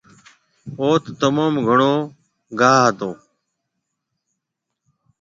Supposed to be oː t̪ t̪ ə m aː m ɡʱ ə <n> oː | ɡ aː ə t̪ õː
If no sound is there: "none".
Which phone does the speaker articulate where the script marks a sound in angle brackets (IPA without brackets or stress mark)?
ɳ